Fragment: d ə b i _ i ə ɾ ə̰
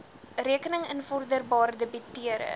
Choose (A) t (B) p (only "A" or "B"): A